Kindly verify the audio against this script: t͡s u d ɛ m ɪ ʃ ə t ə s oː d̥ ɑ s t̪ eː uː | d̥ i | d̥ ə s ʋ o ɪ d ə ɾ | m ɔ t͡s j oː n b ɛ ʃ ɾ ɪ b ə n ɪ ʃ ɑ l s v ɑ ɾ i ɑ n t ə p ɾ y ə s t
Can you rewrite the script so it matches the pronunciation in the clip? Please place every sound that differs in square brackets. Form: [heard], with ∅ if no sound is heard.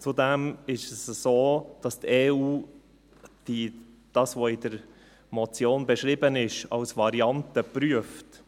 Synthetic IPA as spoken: t͡s u d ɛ m ɪ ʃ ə [s] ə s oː d̥ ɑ s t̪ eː uː | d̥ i | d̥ [ɑ] s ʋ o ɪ d ə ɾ | m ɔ t͡s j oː n b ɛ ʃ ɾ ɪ b ə n ɪ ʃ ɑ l s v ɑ ɾ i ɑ n t ə p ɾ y ə [f] t